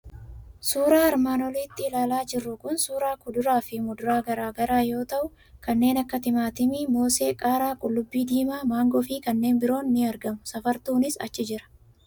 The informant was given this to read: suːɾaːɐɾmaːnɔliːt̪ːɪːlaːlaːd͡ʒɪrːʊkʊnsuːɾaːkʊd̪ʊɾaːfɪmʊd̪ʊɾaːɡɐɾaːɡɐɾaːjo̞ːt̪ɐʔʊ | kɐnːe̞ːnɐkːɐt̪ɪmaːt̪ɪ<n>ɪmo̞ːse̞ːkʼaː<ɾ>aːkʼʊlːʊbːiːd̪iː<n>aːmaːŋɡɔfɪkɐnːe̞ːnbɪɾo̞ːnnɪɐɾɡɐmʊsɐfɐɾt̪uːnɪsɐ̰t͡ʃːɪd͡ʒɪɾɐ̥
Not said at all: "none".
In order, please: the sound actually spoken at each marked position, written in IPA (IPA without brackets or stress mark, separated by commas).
m, ɾ, m